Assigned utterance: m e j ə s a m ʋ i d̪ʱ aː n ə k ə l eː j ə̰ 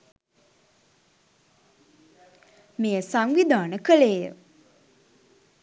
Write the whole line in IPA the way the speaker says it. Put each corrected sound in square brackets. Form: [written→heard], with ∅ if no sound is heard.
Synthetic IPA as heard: m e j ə s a [m→ŋ] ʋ i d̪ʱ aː n ə k ə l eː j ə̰